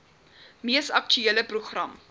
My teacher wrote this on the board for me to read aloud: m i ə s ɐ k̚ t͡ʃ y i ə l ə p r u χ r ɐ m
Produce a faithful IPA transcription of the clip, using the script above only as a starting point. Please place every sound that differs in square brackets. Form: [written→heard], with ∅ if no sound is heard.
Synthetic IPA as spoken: m i ə s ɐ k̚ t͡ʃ y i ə l ə p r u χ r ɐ m